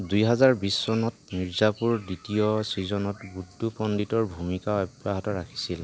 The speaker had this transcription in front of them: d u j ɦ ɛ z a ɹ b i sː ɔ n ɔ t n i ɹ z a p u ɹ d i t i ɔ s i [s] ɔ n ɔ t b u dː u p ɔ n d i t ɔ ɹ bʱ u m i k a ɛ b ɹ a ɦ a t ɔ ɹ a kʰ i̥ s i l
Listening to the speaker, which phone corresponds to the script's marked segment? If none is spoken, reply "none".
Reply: z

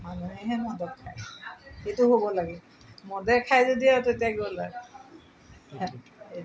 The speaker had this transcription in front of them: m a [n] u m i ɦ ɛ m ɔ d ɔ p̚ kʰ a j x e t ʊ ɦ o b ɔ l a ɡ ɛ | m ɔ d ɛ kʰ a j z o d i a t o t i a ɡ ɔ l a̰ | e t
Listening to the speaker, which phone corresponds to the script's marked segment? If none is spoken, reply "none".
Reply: n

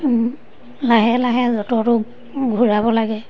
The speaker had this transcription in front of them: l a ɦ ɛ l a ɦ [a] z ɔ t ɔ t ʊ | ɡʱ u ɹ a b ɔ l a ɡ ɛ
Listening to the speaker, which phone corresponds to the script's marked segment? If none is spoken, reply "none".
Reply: ɛ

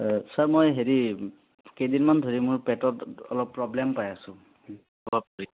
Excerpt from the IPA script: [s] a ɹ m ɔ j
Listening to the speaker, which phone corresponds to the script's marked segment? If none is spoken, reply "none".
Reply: s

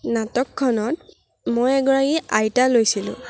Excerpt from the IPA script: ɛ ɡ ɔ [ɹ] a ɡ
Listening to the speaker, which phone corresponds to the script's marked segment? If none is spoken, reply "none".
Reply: ɹ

